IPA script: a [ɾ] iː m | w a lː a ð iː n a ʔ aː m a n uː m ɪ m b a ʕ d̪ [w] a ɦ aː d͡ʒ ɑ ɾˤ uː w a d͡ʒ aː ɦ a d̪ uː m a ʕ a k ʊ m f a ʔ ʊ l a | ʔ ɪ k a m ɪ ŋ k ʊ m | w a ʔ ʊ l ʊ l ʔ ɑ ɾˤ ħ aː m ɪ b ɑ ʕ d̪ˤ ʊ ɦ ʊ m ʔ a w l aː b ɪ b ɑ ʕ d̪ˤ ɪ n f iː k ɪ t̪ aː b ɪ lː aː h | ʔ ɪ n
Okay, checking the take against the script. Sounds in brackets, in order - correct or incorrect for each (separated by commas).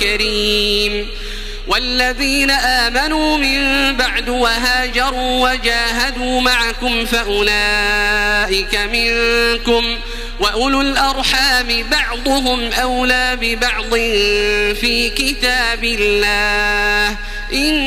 correct, correct